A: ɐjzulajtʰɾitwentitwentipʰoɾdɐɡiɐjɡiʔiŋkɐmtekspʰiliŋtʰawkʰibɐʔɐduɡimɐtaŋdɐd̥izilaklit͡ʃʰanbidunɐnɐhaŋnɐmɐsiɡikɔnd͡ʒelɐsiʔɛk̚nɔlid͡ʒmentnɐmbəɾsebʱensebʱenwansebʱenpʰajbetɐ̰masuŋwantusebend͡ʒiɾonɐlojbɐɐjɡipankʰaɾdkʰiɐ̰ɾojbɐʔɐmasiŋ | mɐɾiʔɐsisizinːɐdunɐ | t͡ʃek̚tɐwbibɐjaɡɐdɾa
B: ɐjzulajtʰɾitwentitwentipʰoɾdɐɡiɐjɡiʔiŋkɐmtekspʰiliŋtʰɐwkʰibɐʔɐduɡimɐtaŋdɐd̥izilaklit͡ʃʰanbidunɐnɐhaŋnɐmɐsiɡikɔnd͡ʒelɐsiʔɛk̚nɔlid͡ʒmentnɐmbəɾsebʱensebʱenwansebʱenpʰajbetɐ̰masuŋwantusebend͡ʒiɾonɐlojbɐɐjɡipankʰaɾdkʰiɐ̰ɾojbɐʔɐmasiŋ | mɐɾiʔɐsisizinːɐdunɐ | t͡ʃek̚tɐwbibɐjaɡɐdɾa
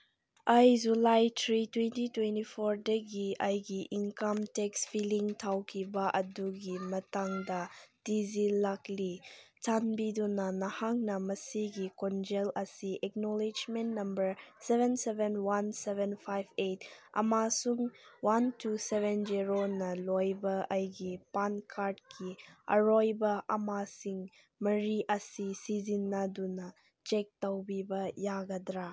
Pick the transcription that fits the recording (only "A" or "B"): A